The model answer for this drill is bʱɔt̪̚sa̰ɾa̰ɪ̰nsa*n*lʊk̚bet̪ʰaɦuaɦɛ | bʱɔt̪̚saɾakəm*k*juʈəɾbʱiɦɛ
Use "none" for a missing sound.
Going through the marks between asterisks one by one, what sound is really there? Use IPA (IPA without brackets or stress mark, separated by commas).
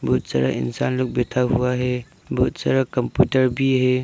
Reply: n, p